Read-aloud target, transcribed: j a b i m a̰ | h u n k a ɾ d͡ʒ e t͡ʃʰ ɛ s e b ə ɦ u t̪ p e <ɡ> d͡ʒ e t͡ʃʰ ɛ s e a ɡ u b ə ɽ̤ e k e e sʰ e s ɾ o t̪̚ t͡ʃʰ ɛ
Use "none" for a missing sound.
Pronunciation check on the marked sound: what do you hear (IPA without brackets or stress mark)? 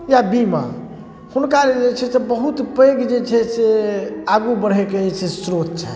ɡ